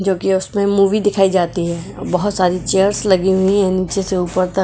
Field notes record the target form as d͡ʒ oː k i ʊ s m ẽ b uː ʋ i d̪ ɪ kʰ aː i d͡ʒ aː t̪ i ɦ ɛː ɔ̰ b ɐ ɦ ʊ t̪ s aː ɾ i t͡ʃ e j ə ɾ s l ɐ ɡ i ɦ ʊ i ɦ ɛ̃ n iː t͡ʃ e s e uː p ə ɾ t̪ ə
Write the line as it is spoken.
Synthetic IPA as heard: d͡ʒ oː k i ʊ s m ẽ m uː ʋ i d̪ ɪ kʰ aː i d͡ʒ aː t̪ i ɦ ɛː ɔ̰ b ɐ ɦ ʊ t̪ s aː ɾ i t͡ʃ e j ə ɾ s l ɐ ɡ i ɦ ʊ i ɦ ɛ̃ n iː t͡ʃ e s e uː p ə ɾ t̪ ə